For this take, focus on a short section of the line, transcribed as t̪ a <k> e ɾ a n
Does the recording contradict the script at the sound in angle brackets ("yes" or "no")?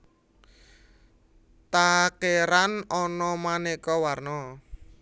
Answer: no